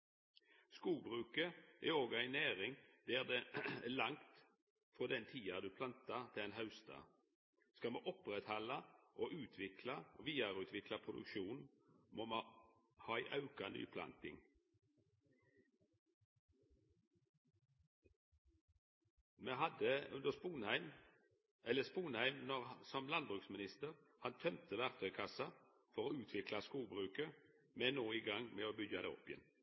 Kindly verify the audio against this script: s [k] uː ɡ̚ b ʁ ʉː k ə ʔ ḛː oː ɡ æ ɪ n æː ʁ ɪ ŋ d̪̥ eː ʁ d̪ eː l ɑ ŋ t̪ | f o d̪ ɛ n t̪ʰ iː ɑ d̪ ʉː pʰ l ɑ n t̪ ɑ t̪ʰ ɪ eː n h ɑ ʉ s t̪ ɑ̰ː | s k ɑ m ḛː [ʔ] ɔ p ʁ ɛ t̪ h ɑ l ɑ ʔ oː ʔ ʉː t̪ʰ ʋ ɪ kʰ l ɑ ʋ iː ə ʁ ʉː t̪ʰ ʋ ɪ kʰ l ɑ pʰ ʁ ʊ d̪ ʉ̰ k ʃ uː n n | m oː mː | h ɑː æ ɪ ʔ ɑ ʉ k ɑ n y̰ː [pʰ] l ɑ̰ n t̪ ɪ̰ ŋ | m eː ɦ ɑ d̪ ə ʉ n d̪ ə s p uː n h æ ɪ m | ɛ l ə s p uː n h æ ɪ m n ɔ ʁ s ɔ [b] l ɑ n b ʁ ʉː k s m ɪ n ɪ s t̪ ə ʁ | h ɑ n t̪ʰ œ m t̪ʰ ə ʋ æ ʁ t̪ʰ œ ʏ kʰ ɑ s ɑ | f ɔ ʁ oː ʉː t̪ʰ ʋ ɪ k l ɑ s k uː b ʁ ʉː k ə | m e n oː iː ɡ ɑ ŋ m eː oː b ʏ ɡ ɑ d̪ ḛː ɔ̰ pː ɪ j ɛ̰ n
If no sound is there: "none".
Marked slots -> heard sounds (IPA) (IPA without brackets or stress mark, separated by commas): k, ʔ, pʰ, m